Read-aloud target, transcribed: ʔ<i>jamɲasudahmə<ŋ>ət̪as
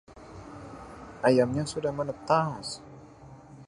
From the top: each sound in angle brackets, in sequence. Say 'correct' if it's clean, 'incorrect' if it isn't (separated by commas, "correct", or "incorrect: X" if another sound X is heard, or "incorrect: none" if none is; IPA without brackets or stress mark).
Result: incorrect: a, incorrect: n